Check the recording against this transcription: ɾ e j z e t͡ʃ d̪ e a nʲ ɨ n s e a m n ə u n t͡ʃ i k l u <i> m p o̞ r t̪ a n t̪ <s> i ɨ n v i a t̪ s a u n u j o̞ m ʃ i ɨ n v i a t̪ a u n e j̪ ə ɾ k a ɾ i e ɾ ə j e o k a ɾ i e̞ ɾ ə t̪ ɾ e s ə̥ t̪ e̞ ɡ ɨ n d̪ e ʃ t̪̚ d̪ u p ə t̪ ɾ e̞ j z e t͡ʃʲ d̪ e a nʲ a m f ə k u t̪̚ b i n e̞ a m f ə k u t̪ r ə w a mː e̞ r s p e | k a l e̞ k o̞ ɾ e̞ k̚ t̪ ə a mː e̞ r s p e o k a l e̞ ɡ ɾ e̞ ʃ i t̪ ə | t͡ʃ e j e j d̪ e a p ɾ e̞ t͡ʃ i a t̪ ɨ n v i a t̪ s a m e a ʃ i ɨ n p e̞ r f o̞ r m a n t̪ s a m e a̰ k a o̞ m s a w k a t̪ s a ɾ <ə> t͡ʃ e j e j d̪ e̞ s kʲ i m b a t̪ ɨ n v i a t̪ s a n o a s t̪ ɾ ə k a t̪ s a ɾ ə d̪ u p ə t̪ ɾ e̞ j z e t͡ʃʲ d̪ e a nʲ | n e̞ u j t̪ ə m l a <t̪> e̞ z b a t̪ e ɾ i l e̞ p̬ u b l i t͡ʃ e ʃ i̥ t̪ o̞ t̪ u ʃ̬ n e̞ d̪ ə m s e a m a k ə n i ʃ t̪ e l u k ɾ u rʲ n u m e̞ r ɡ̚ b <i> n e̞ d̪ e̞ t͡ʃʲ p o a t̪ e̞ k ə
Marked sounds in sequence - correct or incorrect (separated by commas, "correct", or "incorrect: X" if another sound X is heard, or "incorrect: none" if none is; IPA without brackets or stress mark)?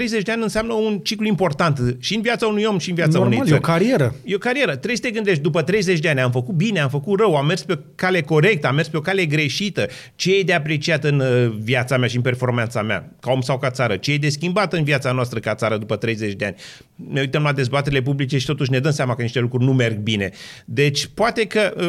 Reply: correct, incorrect: ʃ, correct, incorrect: d̪, correct